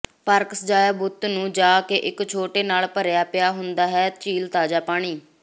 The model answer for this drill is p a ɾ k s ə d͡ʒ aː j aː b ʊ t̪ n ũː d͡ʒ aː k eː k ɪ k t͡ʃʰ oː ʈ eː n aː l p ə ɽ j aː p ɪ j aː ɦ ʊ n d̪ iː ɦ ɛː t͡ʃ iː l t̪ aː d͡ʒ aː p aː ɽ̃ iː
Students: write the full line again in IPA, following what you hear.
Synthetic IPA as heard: p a ɾ k s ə d͡ʒ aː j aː b ʊ t̪ n ũː d͡ʒ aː k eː ʔ ɪ k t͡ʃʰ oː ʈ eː n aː l p ə ɾ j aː p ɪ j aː ɦ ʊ n d̪ aː ɦ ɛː t͡ʃ iː l t̪ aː d͡ʒ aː p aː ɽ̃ iː